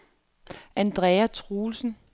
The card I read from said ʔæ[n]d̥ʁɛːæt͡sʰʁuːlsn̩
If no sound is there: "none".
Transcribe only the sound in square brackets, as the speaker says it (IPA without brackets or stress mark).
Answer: n